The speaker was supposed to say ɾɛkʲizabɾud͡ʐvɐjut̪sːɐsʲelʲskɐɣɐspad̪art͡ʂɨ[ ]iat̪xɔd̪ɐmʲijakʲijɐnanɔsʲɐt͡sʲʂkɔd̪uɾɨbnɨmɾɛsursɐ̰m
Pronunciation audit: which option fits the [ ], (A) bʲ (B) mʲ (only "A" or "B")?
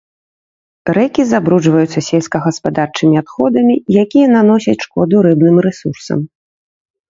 B